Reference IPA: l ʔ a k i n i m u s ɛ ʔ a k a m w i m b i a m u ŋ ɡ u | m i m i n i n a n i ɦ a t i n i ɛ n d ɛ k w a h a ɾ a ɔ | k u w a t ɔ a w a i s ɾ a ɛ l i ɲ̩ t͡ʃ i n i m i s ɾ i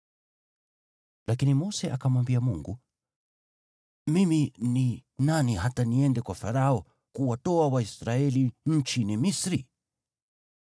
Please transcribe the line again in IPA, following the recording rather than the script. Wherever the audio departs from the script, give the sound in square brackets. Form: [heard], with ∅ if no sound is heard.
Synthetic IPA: l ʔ a k i n i m [ɔ] s ɛ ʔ a k a m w [a] m b i a m u ŋ ɡ u | m i m i n i n a n i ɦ a t [a] n i ɛ n d ɛ k w a [f] a ɾ a ɔ | k u w a t ɔ a w a i s ɾ a ɛ l i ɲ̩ t͡ʃ i n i m i s ɾ i